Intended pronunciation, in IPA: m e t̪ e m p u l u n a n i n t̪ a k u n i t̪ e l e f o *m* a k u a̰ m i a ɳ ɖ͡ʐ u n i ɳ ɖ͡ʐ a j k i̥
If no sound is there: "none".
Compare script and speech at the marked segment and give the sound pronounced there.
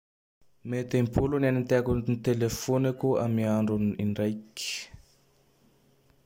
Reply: n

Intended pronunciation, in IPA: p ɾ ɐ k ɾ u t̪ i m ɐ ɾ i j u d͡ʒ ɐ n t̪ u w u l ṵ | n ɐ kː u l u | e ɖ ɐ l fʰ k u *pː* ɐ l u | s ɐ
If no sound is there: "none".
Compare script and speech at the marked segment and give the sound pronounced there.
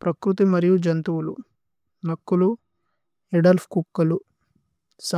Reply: kː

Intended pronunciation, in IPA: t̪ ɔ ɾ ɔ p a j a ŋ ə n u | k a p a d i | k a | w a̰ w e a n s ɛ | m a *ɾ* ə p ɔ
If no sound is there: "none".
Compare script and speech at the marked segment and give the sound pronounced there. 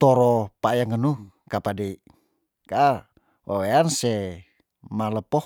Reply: l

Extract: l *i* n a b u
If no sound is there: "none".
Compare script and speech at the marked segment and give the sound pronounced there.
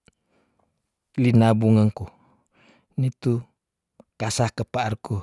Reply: i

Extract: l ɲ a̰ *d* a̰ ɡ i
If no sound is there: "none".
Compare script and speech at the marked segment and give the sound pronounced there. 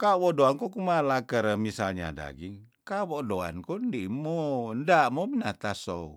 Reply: d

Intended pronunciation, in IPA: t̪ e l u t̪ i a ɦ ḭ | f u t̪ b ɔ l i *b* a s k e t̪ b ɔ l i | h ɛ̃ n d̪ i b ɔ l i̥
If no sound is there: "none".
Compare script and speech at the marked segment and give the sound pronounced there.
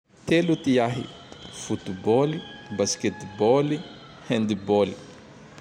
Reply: b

